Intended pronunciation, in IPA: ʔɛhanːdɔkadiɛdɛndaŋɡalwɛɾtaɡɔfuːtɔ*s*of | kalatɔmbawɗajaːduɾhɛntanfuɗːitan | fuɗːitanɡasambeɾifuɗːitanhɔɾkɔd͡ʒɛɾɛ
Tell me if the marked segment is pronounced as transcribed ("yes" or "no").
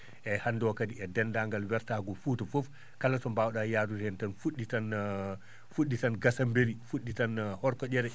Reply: no